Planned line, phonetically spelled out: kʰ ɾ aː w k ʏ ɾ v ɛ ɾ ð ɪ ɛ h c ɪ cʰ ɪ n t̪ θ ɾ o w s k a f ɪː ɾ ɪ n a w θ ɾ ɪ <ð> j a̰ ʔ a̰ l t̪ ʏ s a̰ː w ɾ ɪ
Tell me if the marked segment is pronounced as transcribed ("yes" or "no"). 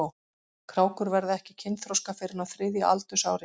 yes